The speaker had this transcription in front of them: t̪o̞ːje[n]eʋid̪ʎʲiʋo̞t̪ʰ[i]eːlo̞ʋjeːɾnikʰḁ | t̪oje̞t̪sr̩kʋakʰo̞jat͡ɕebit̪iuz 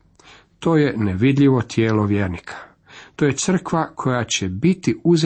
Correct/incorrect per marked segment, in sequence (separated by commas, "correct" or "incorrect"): correct, incorrect